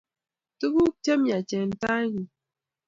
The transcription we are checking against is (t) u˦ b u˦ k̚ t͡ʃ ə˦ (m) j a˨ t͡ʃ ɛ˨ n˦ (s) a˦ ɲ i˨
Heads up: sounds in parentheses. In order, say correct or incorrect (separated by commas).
correct, correct, incorrect